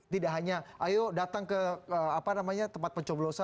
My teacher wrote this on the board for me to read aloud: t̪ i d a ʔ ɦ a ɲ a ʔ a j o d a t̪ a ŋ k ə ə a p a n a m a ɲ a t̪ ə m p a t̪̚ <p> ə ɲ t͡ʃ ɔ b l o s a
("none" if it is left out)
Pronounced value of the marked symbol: p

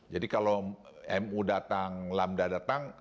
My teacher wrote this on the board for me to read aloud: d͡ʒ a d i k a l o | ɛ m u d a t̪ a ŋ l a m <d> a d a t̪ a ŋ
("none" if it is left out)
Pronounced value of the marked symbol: d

